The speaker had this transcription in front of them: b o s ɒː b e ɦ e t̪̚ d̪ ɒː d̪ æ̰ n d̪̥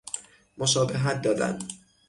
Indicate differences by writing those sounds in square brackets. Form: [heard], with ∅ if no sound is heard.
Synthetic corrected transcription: [m] o [ʃ] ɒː b e ɦ [æ] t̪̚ d̪ ɒː d̪ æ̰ n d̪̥